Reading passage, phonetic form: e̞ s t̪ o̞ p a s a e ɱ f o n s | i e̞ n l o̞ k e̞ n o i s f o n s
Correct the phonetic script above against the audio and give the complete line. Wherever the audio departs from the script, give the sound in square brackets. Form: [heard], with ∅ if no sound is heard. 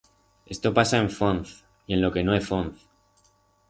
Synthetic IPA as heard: e̞ s t̪ o̞ p a s a e ɱ f o n [θ] | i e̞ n l o̞ k e̞ n o [e] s f o n [θ]